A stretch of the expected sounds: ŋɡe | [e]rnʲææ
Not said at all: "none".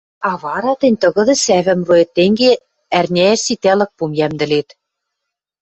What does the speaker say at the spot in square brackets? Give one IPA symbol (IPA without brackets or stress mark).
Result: æ